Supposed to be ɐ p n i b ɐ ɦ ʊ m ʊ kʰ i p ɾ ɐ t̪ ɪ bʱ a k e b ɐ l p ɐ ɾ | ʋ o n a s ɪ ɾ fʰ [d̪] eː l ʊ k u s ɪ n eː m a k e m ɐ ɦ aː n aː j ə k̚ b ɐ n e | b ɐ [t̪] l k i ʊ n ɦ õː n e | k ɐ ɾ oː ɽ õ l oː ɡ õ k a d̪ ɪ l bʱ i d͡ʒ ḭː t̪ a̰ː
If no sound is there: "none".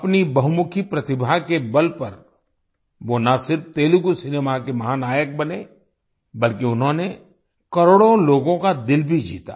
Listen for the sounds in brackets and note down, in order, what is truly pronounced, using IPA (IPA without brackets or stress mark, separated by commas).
t̪, none